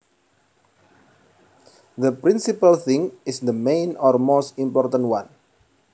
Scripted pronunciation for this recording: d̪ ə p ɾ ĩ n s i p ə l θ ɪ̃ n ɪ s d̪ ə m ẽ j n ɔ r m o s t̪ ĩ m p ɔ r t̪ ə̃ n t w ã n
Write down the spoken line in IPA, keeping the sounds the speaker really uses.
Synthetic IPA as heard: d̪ ə p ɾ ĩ n s i p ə l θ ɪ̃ ŋ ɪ s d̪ ə m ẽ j n ɔ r m o s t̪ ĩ m p ɔ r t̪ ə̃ n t w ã n